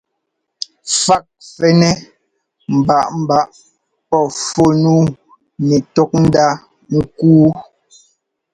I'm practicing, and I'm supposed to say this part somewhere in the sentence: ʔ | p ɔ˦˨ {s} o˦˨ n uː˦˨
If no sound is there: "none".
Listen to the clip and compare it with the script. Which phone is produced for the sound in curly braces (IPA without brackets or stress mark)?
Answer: f